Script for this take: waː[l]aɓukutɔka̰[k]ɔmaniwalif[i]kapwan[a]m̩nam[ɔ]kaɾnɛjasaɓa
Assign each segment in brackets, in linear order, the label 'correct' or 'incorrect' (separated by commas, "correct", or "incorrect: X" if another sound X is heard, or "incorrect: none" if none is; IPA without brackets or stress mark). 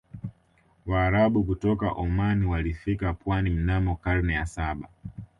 incorrect: ɾ, incorrect: ʔ, correct, incorrect: i, correct